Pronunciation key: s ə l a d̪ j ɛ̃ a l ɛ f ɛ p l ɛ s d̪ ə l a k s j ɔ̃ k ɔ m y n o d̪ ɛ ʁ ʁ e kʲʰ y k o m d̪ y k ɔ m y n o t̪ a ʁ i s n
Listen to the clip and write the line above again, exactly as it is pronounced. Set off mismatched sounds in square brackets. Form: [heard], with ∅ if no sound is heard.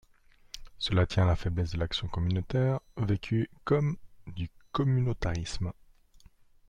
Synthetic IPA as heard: s ə l a [t̪] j ɛ̃ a l [a] f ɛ [b] l ɛ s d̪ ə l a k s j ɔ̃ k ɔ m y n o [t̪] ɛ ʁ [v] e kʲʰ y k [ɔ] m d̪ y k ɔ m y n o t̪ a ʁ i s [m]